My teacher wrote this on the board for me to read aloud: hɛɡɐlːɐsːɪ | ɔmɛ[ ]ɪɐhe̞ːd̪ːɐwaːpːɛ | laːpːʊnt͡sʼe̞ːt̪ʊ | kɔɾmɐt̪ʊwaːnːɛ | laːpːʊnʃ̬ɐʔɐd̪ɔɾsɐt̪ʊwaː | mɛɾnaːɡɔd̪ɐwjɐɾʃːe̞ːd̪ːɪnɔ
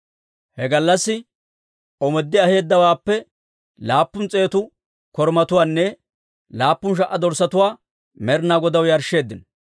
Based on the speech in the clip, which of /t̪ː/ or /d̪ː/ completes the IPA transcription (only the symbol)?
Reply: d̪ː